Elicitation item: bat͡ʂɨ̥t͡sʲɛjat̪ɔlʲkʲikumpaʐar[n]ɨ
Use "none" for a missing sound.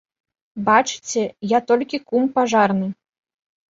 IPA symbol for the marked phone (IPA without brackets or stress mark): n